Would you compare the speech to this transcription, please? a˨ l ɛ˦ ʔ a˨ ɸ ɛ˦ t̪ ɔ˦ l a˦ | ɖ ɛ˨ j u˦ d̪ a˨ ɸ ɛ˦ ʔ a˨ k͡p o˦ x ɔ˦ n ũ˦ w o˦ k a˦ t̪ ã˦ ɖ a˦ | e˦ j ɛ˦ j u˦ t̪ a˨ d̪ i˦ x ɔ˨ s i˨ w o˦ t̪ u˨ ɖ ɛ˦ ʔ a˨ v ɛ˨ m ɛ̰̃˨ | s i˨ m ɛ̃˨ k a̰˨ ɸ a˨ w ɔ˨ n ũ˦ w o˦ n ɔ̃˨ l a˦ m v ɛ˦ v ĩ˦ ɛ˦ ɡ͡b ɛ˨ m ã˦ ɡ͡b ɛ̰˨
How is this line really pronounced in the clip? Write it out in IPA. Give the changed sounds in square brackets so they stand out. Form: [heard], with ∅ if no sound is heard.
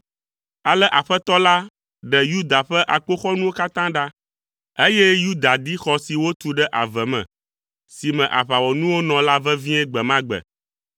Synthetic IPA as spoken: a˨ l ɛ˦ ʔ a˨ ɸ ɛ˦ t̪ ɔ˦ l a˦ | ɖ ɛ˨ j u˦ d̪ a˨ ɸ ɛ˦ ʔ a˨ k͡p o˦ x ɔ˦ n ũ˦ w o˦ k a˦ t̪ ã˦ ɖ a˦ | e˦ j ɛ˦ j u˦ [d̪] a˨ d̪ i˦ x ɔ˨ s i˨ w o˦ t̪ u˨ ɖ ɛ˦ ʔ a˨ v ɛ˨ m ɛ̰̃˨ | s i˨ m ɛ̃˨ [ʔ] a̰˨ ɸ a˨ w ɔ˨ n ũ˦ w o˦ n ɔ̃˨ l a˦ [∅] v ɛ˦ v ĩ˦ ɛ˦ ɡ͡b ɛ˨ m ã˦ ɡ͡b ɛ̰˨